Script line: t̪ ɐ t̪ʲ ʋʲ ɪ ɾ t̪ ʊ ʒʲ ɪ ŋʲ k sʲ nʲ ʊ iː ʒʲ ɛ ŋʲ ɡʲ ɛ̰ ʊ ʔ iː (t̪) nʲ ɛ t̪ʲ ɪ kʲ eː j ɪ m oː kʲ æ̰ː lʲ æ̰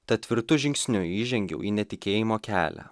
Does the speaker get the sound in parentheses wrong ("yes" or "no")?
yes